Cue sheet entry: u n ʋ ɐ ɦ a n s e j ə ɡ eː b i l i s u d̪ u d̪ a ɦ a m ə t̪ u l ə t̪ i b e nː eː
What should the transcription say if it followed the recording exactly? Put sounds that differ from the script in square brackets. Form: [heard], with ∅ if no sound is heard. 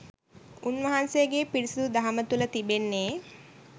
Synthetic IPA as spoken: u n ʋ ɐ ɦ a n s e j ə ɡ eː [p] i [ɾ] i s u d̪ u d̪ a ɦ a m ə t̪ u l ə t̪ i b e nː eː